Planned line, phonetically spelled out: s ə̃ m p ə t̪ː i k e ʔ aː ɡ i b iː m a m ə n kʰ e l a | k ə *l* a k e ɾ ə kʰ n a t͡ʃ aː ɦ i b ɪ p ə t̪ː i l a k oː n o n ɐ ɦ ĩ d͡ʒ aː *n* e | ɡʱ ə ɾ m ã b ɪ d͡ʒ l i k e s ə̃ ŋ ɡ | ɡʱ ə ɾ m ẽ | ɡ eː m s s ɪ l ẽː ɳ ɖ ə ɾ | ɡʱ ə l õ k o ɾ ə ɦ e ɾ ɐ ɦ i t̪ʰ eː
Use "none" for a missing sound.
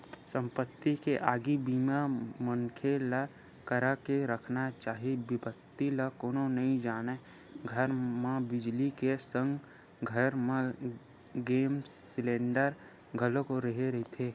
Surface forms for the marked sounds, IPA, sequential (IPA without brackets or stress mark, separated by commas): ɾ, n